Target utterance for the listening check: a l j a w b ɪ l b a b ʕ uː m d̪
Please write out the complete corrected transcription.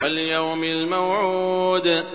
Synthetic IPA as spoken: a l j a w m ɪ l m a w ʕ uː d̪